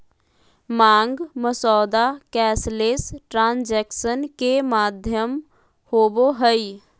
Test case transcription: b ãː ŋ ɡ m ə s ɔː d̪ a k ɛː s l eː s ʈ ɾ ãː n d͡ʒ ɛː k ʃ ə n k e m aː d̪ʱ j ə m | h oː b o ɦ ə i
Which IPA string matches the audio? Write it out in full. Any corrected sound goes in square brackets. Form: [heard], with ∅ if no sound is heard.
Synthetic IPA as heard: [m] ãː ŋ ɡ m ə s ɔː d̪ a k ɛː s l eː s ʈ ɾ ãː n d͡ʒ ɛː k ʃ ə n k e m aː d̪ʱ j ə m | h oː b o ɦ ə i